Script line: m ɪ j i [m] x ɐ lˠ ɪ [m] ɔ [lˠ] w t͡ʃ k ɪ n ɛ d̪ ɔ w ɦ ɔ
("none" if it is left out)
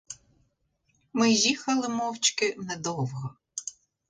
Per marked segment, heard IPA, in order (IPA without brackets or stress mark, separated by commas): none, m, none